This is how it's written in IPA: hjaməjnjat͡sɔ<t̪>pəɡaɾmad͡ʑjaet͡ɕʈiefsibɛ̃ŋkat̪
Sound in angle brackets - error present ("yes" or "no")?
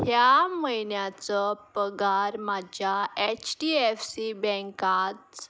yes